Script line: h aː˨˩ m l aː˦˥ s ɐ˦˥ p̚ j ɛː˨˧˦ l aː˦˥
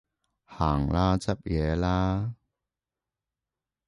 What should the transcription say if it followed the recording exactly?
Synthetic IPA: h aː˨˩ ŋ l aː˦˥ t͡s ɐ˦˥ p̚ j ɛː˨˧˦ l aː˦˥